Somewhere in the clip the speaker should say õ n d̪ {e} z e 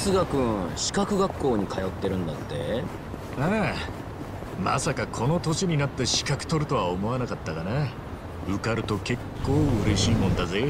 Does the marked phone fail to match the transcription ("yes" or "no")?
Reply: yes